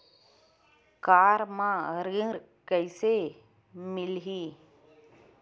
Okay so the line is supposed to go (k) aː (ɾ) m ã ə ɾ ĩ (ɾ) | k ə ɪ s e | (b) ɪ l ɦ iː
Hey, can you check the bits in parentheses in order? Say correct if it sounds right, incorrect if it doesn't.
correct, correct, correct, incorrect

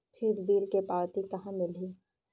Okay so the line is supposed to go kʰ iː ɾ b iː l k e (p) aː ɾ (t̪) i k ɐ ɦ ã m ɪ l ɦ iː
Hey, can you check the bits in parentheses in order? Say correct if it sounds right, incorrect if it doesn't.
correct, correct

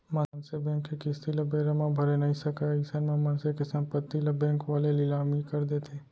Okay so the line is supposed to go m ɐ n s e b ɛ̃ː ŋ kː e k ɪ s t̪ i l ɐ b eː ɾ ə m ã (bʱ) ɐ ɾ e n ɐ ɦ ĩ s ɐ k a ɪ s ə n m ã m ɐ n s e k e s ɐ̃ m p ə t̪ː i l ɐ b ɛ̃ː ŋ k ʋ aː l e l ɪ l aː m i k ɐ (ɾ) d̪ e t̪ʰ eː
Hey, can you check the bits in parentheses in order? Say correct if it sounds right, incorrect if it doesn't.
correct, correct

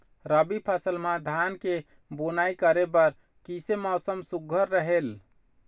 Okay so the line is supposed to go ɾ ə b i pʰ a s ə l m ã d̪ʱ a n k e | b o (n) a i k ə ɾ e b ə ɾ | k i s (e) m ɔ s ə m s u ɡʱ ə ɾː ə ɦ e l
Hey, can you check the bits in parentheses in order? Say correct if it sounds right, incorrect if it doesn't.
correct, correct

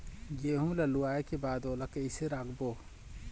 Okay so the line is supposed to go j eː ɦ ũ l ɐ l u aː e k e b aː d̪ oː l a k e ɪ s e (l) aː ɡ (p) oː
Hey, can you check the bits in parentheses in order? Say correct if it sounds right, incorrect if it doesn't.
incorrect, incorrect

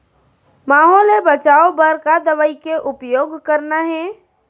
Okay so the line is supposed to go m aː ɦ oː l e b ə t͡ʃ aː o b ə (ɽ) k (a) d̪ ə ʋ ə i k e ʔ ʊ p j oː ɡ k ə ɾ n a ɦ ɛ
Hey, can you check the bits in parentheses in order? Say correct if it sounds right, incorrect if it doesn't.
incorrect, correct

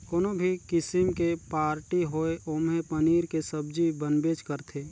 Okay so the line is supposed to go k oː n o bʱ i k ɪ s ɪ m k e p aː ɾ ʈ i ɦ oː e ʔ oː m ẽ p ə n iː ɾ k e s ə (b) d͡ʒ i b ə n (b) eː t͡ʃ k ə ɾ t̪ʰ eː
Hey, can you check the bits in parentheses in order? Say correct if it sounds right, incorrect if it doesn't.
correct, correct

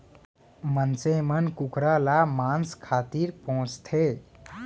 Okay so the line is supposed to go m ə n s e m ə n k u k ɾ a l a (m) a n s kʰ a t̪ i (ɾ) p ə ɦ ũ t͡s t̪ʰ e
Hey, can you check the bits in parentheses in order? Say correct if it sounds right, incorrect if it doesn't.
correct, correct

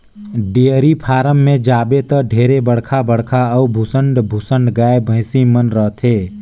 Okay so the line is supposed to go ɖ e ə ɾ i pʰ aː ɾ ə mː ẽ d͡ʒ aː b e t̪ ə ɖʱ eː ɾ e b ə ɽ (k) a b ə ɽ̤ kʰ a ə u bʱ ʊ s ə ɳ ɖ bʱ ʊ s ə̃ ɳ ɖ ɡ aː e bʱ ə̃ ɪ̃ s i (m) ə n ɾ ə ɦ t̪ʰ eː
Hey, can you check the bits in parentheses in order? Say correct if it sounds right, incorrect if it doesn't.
incorrect, correct

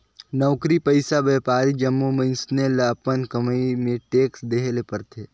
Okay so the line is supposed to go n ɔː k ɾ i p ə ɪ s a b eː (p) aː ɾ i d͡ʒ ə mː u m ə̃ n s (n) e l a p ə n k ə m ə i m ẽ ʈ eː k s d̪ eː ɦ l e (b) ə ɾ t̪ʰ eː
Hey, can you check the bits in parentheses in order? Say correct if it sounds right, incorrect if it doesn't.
correct, correct, incorrect

